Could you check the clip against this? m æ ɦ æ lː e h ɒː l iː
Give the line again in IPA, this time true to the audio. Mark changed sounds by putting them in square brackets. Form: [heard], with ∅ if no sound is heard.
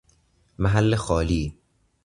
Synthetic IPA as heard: m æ ɦ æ lː e [x] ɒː l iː